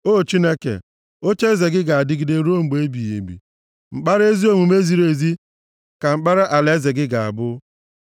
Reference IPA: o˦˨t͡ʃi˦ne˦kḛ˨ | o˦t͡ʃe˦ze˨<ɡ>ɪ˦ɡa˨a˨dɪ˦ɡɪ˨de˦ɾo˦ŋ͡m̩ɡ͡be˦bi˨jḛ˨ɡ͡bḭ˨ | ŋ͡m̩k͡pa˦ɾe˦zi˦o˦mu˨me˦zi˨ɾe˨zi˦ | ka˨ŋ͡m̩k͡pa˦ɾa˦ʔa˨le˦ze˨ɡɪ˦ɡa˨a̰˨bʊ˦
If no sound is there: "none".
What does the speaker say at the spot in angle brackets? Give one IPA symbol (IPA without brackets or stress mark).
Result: ɡ